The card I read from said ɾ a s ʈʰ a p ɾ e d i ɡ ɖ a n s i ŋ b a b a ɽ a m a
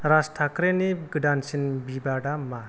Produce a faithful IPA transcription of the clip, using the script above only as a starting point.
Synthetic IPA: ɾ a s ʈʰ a k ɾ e n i ɡ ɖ a n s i n b i b a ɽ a m a